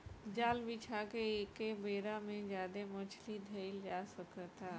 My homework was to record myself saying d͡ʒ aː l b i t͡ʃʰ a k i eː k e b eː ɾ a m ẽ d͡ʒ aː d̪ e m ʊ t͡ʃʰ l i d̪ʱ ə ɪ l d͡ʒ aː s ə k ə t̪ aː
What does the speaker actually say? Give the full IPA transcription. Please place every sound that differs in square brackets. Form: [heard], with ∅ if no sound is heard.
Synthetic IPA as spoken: d͡ʒ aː l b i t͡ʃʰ a k [e] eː k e b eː ɾ a m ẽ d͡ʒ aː d̪ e m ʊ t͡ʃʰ l i d̪ʱ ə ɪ l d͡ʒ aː s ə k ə t̪ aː